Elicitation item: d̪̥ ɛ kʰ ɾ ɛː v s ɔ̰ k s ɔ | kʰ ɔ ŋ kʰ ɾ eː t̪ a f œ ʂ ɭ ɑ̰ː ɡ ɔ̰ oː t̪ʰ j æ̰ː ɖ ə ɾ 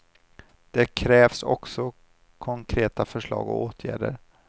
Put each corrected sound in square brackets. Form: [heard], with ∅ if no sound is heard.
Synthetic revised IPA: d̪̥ ɛ kʰ ɾ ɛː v s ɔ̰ k s ɔ | kʰ ɔ ŋ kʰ ɾ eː t̪ a f œ ʂ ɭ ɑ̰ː ɡ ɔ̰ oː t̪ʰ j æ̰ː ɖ ə ɾ